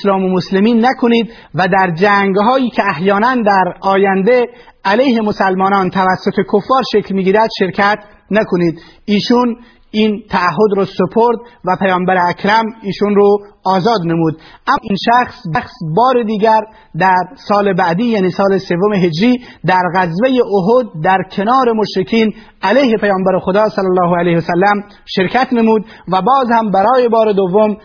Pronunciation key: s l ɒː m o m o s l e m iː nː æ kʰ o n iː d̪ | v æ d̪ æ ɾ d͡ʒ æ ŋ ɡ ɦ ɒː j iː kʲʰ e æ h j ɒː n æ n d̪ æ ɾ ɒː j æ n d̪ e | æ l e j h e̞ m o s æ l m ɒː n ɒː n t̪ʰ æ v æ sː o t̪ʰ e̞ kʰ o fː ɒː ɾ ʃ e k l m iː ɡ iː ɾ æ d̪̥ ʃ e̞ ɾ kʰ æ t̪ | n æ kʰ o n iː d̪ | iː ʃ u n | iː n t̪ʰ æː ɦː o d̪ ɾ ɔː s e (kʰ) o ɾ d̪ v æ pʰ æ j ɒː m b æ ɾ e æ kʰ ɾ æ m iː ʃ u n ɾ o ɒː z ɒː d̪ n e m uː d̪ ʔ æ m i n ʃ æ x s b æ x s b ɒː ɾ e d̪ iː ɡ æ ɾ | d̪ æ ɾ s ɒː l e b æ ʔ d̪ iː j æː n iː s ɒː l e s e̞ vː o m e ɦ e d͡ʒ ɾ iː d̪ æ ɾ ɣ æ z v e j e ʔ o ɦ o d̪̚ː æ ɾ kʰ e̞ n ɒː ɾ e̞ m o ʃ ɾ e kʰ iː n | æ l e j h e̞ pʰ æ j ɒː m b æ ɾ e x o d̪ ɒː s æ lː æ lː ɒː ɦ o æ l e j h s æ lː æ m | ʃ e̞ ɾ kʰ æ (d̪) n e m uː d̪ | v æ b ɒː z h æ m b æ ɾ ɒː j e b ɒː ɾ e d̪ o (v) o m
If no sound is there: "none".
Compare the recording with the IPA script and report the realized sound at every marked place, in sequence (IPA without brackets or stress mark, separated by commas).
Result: pʰ, t̪, vː